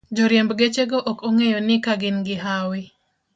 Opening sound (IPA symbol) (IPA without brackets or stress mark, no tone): d͡ʒ